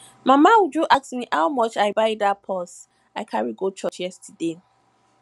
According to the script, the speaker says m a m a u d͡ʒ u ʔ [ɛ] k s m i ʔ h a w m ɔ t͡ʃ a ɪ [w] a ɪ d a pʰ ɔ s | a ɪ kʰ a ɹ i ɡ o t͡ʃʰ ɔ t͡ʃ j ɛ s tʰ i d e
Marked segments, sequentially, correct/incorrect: incorrect: a, incorrect: b

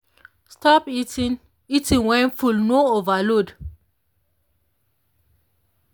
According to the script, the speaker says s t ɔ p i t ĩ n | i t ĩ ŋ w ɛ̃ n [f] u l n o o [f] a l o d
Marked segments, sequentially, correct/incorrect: correct, incorrect: v

